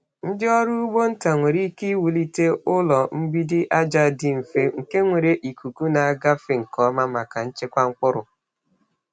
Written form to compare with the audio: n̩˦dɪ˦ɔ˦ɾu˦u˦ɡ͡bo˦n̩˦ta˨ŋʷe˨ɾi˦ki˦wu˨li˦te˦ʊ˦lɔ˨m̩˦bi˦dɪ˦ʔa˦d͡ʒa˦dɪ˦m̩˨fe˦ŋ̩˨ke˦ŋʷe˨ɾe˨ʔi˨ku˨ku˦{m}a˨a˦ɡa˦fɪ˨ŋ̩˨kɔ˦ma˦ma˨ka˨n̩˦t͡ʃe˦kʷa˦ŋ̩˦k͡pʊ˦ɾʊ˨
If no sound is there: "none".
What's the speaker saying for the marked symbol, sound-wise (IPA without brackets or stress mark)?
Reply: n